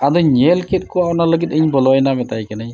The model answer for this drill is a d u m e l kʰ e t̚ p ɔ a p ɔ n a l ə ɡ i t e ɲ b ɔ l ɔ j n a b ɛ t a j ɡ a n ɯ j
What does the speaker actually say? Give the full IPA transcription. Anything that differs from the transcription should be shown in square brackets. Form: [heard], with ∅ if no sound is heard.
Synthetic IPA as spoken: a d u [ɲ] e l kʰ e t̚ [k] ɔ a p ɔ n a l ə ɡ i t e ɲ b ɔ l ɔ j n a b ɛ t a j [k] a n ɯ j